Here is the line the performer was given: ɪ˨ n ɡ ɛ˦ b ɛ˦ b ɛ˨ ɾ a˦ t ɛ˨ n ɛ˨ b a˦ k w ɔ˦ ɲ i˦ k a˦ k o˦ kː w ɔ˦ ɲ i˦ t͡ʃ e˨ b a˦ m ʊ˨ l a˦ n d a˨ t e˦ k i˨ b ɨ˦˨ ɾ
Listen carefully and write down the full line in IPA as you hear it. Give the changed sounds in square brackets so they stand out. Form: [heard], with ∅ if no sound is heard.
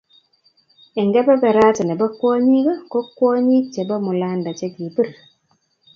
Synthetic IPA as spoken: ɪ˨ [ŋ] ɡ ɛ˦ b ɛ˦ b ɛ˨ ɾ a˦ t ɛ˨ n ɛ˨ b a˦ k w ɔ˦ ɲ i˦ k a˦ k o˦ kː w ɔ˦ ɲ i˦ t͡ʃ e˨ b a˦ m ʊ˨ l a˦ n d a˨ [t͡ʃ] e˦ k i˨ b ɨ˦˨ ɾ